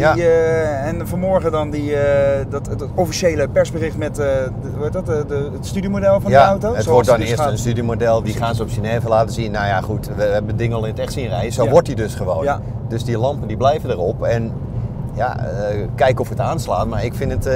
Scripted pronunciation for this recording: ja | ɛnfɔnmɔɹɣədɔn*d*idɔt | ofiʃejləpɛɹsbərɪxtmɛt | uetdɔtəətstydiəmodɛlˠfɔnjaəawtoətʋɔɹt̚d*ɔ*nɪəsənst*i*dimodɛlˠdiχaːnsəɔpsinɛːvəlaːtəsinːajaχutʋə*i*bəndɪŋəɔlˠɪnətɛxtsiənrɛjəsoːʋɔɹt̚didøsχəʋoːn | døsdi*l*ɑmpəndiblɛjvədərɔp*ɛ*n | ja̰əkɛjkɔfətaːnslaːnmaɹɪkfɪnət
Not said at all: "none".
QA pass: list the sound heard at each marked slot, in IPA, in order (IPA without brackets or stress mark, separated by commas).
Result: d, ɔ, y, ɛ, l, ɛ